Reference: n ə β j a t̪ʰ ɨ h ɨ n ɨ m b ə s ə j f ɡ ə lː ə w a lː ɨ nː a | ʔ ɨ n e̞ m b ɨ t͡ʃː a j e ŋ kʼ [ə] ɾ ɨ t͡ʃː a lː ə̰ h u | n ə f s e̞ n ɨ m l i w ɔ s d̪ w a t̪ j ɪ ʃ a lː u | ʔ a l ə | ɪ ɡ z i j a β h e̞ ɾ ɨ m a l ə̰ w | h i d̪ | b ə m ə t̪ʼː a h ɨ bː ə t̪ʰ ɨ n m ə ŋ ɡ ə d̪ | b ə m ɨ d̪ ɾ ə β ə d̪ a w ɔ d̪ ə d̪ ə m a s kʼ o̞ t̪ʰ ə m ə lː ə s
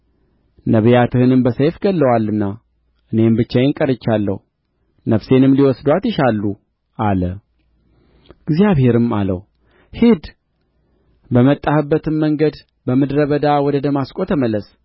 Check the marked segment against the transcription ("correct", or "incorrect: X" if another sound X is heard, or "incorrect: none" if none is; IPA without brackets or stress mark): correct